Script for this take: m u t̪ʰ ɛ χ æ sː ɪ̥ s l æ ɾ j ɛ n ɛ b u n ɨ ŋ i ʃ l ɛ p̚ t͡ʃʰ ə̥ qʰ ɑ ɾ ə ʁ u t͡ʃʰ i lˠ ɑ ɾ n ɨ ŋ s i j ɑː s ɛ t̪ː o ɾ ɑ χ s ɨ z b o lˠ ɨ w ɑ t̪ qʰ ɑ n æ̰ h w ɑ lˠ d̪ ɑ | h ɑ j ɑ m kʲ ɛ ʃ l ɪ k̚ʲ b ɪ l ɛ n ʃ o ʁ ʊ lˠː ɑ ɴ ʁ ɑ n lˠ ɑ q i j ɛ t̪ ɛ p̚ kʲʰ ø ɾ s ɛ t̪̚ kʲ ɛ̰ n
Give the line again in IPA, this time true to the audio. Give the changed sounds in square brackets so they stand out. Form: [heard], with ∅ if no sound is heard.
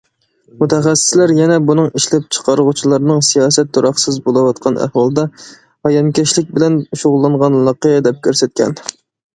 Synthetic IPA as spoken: m u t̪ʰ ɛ χ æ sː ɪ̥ s l æ ɾ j ɛ n ɛ b u n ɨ ŋ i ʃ l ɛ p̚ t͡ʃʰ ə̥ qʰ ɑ ɾ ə ʁ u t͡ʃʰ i lˠ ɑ ɾ n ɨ ŋ s i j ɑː s ɛ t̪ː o ɾ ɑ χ s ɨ z b o lˠ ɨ w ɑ t̪ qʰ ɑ n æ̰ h w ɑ lˠ d̪ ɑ | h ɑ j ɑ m kʲ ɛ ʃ l ɪ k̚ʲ b ɪ l ɛ n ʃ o ʁ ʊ lˠː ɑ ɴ ʁ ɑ n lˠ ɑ q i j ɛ [d̪] ɛ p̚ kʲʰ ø ɾ s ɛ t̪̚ kʲ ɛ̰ n